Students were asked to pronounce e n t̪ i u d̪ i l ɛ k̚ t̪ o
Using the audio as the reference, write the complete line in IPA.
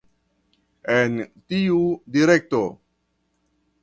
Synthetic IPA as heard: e n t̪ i u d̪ i ɾ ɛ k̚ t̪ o